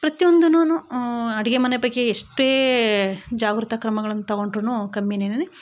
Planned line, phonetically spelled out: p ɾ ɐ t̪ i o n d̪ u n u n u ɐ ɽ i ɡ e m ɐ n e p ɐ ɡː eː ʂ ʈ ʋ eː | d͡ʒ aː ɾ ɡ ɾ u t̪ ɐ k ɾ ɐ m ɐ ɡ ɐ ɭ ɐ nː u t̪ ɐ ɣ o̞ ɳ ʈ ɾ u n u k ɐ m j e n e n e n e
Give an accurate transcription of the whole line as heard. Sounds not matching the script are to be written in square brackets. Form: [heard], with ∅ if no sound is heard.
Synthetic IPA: p ɾ ɐ t̪ i o n d̪ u n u n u ɐ ɽ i ɡ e m ɐ n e p ɐ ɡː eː ʂ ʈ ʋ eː | d͡ʒ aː [∅] ɡ ɾ u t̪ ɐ k ɾ ɐ m ɐ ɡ ɐ ɭ ɐ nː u t̪ ɐ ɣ o̞ ɳ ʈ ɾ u n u k ɐ m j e n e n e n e